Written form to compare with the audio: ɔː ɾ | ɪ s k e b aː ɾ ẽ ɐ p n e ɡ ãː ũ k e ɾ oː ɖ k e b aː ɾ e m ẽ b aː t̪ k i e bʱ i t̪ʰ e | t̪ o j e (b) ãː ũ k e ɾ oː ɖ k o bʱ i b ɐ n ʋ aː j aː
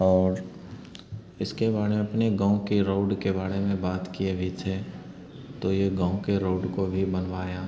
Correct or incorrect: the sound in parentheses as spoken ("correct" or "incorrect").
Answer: incorrect